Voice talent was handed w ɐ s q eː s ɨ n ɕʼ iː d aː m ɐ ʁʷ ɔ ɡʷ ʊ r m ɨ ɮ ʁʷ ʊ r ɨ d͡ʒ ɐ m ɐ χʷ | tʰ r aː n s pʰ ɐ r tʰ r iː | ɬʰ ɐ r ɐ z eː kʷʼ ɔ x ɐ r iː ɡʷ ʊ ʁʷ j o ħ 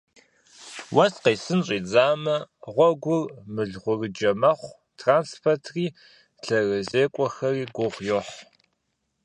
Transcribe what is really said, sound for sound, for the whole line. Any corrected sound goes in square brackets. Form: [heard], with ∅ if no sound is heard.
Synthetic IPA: w ɐ s q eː s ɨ n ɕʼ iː [d͡z] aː m ɐ ʁʷ ɔ ɡʷ ʊ r m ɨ ɮ ʁʷ ʊ r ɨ d͡ʒ ɐ m ɐ χʷ | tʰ r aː n s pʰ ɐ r tʰ r iː | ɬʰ ɐ r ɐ z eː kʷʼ ɔ x ɐ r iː ɡʷ ʊ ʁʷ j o ħ